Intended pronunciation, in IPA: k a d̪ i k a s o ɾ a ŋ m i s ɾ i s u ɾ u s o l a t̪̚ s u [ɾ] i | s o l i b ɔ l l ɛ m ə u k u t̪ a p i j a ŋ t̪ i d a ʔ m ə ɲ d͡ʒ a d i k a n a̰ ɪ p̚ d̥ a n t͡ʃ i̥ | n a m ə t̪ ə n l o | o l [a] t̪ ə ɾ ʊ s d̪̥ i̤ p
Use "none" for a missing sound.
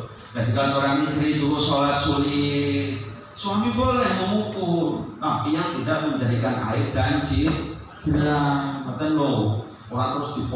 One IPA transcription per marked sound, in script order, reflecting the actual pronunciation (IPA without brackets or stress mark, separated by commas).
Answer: l, a